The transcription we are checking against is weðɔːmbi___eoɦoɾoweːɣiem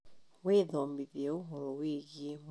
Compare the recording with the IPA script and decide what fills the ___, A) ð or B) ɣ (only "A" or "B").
A